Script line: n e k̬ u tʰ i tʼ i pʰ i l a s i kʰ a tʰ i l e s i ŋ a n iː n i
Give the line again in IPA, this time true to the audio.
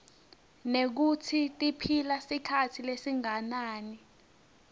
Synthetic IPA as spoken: n e k̬ u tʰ i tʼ i pʰ i l a s i kʰ a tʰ i l e s i ŋ a n aː n i